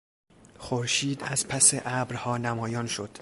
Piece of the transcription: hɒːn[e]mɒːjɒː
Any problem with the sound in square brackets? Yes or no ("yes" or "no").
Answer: yes